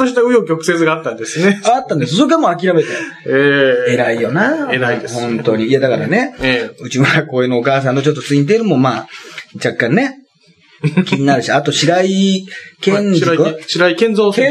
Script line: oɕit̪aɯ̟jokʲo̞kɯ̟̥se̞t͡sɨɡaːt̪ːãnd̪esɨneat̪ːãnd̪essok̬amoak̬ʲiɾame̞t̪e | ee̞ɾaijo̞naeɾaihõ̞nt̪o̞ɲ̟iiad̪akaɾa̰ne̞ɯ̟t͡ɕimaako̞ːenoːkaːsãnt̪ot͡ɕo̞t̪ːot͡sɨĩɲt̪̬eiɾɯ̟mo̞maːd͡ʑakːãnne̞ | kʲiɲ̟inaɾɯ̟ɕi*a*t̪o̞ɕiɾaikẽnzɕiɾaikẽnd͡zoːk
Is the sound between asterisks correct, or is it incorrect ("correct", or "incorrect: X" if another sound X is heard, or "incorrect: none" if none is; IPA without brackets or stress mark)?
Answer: correct